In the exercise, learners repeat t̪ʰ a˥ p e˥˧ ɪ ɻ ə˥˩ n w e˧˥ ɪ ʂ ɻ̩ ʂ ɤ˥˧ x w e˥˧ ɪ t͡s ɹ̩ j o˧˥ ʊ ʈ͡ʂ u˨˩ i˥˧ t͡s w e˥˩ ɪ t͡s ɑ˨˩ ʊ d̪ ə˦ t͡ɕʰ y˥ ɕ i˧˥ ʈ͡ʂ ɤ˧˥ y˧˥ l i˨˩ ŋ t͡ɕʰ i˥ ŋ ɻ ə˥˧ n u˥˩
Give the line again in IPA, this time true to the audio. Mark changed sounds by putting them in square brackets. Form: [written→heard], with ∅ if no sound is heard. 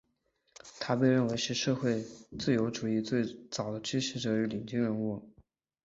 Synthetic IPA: t̪ʰ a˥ p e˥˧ ɪ ɻ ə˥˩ n w e˧˥ ɪ ʂ ɻ̩ ʂ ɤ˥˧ x w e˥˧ ɪ t͡s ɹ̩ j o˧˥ ʊ ʈ͡ʂ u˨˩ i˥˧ t͡s w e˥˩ ɪ t͡s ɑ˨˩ ʊ d̪ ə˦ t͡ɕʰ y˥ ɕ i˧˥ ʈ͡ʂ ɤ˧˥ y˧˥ l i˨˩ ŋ [t͡ɕʰ→t͡ɕ] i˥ ŋ ɻ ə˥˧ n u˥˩